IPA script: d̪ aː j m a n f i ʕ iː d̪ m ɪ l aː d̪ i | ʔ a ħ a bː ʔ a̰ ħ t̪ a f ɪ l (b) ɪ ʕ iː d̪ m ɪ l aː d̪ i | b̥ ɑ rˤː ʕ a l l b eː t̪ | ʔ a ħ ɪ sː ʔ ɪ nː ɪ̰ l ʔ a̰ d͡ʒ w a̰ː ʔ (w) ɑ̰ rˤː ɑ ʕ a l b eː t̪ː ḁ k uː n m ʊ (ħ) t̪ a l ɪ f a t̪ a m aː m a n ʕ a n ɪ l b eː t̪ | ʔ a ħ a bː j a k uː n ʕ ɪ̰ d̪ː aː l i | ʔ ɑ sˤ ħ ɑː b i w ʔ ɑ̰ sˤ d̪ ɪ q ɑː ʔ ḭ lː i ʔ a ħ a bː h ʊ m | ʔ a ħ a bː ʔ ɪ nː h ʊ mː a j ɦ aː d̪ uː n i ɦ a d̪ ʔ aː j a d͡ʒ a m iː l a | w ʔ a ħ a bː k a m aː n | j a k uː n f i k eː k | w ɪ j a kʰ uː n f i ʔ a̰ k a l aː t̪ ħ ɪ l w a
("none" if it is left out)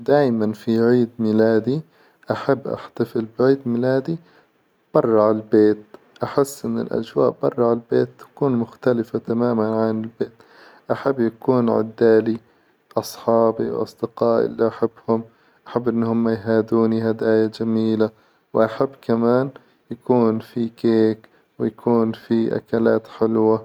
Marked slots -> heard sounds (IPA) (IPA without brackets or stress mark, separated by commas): b, b, x